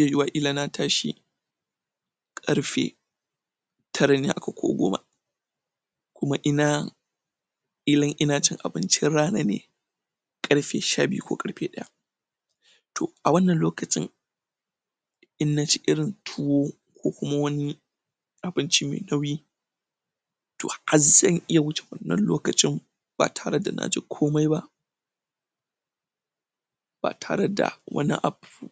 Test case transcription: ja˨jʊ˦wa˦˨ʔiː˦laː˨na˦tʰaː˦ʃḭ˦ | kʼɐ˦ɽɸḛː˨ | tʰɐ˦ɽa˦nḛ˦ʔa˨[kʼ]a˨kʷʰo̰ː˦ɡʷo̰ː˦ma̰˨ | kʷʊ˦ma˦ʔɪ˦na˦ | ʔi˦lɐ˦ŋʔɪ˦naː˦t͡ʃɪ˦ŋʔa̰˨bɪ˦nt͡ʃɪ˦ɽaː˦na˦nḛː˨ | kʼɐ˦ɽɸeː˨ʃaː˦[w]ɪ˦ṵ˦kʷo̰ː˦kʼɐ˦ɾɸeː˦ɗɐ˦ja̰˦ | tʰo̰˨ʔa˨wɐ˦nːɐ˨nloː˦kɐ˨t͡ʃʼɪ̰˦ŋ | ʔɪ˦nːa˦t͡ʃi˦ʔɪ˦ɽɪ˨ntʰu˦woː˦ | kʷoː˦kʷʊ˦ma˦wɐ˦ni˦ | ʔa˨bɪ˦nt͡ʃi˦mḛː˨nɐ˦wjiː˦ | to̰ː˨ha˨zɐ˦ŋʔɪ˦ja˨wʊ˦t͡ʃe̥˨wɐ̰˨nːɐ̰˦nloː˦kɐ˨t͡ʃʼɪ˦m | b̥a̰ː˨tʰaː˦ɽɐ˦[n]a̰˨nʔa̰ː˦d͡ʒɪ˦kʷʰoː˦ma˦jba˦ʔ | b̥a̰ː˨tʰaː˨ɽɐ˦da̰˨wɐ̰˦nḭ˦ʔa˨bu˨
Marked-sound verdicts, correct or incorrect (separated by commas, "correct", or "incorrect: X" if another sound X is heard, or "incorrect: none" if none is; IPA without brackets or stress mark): incorrect: k, incorrect: b, incorrect: d